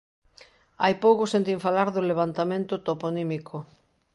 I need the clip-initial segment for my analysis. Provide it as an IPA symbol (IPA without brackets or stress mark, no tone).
a